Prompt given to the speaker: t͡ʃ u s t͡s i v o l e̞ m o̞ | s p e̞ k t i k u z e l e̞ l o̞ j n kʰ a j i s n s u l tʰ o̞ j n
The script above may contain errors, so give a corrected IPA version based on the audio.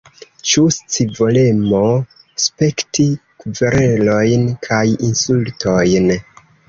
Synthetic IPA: t͡ʃ u s t͡s i v o l e̞ m o̞ | s p e̞ k t i k u v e ɾ e̞ l o̞ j n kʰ a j i n s u l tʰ o̞ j n